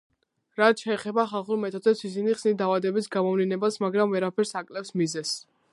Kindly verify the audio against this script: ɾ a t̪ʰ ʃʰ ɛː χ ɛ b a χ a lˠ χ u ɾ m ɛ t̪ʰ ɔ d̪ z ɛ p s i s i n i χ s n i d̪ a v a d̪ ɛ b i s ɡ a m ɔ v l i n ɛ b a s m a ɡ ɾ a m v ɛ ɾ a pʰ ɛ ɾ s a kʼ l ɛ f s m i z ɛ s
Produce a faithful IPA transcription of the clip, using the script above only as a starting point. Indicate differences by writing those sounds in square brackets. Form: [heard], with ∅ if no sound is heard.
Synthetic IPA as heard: ɾ a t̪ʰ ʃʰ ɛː χ ɛ b a χ a lˠ χ u ɾ m ɛ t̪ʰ ɔ d̪ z ɛ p s i s i n i χ s n i d̪ a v a d̪ ɛ b i s ɡ a m ɔ v l i n ɛ b a s m a ɡ ɾ a m v ɛ ɾ a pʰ ɛ ɾ s a kʼ l ɛ f s m i z ɛ s